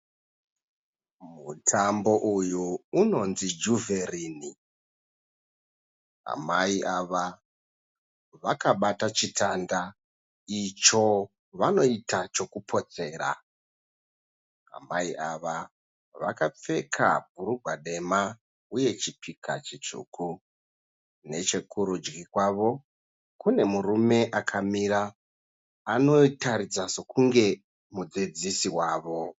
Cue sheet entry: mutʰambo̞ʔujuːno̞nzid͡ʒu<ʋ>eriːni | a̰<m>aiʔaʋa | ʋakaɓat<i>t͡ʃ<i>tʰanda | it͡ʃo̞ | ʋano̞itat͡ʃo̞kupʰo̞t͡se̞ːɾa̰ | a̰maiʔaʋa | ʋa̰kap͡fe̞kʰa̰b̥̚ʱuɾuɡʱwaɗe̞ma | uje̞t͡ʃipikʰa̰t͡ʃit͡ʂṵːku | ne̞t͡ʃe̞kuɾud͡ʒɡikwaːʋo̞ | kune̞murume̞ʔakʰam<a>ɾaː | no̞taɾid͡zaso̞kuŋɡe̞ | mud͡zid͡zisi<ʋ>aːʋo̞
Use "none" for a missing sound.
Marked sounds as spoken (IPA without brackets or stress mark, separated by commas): v, m, a, i, i, w